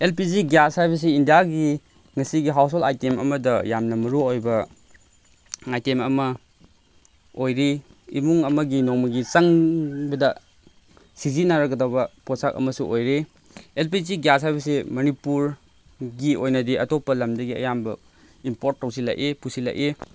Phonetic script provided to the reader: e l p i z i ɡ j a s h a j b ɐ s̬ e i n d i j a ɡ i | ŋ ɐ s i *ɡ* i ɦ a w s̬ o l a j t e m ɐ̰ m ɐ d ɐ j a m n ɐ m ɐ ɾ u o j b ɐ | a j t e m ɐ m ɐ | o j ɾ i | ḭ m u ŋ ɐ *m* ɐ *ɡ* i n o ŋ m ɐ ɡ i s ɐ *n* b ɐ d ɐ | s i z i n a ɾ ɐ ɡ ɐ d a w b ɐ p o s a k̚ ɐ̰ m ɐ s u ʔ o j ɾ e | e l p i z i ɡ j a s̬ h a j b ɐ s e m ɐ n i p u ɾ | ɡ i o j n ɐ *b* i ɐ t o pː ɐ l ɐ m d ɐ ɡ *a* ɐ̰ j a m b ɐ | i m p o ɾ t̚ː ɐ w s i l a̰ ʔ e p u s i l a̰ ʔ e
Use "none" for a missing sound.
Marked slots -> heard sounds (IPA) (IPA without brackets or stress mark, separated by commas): ɡ, m, ɡ, ŋ, d, i